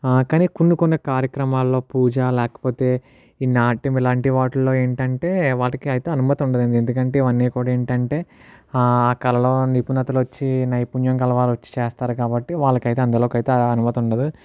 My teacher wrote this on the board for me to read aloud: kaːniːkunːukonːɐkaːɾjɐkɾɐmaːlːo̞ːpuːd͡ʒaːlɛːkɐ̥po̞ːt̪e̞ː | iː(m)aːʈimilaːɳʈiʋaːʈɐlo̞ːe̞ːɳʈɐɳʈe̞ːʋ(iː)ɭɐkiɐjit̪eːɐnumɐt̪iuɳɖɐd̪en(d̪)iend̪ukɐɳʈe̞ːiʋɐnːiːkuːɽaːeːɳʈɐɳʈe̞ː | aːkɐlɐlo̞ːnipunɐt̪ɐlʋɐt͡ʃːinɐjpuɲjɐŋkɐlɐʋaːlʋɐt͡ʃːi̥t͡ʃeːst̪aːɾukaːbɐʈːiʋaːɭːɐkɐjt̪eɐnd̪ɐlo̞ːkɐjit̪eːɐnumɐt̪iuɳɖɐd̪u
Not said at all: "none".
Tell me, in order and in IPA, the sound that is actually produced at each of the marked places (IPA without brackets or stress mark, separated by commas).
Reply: n, aː, d̪